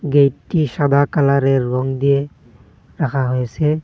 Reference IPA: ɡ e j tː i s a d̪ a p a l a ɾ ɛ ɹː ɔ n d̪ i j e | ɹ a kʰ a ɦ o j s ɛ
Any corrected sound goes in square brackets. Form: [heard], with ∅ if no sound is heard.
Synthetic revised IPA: ɡ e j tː i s a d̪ a [k] a l a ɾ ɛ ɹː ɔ [ŋ] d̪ i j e | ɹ a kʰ a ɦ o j s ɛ